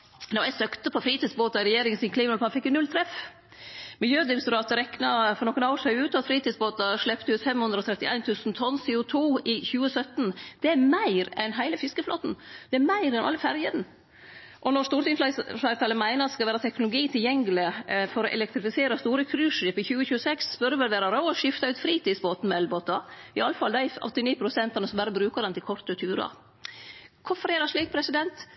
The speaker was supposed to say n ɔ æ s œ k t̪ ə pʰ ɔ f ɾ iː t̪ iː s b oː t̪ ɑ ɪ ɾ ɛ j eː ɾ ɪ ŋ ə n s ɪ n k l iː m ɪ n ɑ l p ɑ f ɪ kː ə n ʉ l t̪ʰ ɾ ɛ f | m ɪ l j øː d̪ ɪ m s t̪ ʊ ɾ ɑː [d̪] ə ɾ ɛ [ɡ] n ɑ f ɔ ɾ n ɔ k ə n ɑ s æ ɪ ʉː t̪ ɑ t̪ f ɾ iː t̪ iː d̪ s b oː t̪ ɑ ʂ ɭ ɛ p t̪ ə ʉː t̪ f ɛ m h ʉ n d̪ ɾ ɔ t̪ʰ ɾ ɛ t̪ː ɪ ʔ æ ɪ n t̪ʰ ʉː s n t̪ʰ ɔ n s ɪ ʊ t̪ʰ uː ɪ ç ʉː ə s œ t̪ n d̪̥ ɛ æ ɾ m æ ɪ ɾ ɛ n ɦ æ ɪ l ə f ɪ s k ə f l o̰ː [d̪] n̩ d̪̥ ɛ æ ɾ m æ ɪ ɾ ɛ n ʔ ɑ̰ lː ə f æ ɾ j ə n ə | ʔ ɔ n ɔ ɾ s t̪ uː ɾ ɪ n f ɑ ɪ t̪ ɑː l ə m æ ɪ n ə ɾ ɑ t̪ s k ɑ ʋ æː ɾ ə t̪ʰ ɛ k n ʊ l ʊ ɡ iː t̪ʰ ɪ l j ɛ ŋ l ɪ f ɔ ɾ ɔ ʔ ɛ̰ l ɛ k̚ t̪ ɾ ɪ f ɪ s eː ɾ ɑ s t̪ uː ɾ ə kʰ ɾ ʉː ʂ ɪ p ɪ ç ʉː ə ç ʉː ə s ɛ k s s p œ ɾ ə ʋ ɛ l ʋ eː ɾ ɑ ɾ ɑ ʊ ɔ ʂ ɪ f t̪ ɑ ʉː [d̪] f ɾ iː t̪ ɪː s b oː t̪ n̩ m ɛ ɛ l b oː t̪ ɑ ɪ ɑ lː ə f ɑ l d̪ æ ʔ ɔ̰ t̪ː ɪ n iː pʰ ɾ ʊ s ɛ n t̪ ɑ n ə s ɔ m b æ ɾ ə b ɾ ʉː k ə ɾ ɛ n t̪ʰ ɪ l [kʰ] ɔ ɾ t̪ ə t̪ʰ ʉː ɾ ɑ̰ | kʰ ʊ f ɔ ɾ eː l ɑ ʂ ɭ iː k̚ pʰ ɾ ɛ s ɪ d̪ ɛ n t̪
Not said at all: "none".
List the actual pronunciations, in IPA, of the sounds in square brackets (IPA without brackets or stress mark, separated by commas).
t̪, k, t̪, t̪, kʰ